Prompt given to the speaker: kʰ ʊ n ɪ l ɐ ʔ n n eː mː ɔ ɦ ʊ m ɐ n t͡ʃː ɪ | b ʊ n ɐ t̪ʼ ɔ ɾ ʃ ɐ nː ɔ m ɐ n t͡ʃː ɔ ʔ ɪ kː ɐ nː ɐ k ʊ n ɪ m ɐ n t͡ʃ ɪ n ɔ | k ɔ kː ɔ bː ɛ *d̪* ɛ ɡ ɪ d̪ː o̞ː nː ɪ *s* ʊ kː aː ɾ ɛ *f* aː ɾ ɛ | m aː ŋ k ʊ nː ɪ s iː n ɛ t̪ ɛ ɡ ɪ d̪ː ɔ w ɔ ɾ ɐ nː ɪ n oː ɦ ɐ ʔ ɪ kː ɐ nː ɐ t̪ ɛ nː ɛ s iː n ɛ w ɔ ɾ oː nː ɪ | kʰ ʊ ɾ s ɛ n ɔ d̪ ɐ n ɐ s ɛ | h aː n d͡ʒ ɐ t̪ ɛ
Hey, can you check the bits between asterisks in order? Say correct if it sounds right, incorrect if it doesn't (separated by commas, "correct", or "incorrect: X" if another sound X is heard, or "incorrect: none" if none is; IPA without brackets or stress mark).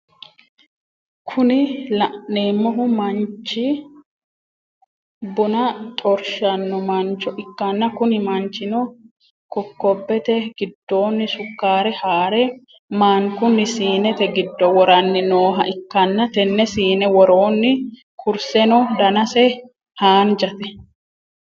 incorrect: t̪, correct, incorrect: h